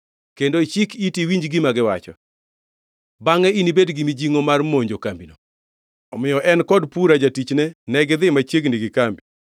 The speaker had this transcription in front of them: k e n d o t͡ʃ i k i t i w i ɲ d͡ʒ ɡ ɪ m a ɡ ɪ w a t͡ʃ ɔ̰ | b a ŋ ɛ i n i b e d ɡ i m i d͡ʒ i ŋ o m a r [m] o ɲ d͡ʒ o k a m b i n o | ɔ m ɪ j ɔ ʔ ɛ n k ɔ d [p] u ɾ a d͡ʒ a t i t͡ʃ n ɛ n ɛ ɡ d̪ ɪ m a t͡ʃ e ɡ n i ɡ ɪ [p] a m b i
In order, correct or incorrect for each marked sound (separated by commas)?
correct, correct, incorrect